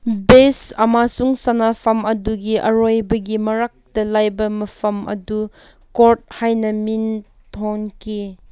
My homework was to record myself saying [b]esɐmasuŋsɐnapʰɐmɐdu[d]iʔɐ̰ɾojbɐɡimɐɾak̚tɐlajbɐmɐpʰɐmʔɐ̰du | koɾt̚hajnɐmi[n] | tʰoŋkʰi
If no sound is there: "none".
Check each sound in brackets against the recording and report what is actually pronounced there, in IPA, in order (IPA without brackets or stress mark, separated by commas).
b, ɡ, n